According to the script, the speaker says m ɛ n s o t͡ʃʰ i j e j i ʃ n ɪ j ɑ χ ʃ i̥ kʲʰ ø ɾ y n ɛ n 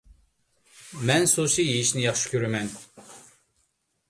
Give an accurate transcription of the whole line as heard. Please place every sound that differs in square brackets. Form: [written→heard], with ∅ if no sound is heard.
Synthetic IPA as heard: m ɛ n s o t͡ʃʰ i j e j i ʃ n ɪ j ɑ χ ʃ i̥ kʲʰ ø ɾ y [n→m] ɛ n

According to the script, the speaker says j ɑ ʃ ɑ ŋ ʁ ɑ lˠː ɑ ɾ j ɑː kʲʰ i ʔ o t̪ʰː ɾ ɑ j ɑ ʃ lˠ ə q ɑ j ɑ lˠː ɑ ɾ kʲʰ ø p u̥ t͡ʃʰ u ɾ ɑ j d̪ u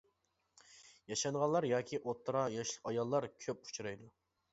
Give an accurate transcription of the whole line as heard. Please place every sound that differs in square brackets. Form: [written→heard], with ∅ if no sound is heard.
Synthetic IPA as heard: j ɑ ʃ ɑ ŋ ʁ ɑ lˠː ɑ ɾ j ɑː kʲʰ i ʔ o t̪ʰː ɾ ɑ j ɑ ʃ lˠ ə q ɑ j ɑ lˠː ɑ ɾ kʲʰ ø p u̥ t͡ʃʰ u ɾ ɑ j d̪ u

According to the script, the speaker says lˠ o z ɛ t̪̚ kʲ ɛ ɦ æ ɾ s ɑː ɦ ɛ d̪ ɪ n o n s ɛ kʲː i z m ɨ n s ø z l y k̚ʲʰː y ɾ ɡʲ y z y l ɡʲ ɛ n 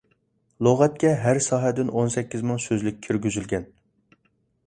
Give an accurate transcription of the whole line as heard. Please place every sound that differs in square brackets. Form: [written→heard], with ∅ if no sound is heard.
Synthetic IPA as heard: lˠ o [z→ʁ] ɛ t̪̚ kʲ ɛ ɦ æ ɾ s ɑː ɦ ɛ d̪ ɪ n o n s ɛ kʲː i z m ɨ [n→ŋ] s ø z l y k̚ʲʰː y ɾ ɡʲ y z y l ɡʲ ɛ n

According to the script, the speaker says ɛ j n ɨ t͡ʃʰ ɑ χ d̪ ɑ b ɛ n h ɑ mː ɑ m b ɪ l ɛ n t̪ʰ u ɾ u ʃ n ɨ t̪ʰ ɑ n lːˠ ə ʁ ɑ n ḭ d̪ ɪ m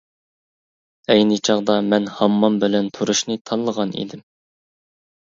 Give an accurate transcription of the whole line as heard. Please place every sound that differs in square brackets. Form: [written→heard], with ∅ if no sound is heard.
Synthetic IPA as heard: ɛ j n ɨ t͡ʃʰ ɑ [χ→ʁ] d̪ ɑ [b→m] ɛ n h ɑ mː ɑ m b ɪ l ɛ n t̪ʰ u ɾ u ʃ n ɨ t̪ʰ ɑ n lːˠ ə ʁ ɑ n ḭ d̪ ɪ m

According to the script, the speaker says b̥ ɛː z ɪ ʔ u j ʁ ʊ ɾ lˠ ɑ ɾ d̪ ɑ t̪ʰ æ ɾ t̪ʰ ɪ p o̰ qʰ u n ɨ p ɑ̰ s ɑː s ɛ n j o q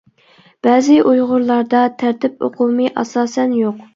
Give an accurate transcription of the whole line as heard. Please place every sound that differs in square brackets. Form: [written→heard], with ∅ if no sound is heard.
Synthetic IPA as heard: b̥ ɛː z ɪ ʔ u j ʁ ʊ ɾ lˠ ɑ ɾ d̪ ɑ t̪ʰ æ ɾ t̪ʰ ɪ p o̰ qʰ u [n→m] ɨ [p→ʔ] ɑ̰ s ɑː s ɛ n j o q

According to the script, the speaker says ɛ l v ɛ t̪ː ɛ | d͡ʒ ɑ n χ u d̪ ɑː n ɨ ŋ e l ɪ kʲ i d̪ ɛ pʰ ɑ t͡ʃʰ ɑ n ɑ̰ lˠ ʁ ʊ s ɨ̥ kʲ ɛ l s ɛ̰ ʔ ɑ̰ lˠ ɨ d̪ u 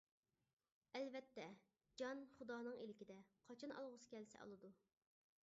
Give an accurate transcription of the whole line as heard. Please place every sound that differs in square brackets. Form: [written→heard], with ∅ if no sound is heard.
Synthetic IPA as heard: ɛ l v ɛ t̪ː ɛ | d͡ʒ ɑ n χ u d̪ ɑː n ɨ ŋ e l ɪ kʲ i d̪ ɛ [pʰ→qʰ] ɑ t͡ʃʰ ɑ n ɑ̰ lˠ ʁ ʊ s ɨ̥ kʲ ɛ l s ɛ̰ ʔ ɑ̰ lˠ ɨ d̪ u

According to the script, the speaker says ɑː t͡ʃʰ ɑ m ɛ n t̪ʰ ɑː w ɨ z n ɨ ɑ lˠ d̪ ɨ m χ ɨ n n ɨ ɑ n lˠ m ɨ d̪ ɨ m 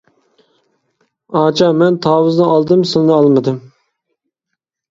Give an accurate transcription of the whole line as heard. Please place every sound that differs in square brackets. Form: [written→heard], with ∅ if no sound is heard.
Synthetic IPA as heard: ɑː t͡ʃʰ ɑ m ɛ n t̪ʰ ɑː w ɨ z n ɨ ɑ lˠ d̪ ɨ m [χ→s] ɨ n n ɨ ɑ [n→∅] lˠ m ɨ d̪ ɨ m

